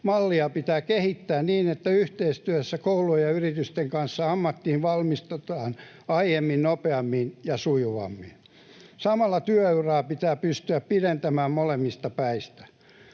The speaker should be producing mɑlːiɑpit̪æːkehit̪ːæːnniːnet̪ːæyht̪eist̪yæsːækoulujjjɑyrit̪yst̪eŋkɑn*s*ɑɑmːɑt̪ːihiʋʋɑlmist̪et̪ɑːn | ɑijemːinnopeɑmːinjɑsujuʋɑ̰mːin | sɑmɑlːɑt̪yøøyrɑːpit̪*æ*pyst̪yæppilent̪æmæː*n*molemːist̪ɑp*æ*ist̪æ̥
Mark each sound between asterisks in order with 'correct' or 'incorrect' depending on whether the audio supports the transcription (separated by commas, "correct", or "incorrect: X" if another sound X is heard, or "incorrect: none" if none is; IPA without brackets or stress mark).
incorrect: sː, incorrect: æː, incorrect: m, correct